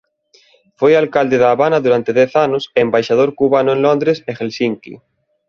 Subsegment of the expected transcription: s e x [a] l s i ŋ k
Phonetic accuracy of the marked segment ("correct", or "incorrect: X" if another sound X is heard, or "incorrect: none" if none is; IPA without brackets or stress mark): incorrect: e